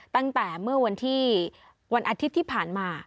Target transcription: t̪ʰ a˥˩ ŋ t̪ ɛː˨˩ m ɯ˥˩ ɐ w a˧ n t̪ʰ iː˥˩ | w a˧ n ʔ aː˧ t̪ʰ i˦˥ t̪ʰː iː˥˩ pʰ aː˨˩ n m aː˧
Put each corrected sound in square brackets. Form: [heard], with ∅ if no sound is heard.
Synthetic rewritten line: [t̪] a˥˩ ŋ t̪ ɛː˨˩ m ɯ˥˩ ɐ w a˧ n t̪ʰ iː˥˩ | w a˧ n ʔ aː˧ t̪ʰ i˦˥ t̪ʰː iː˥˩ pʰ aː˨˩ n m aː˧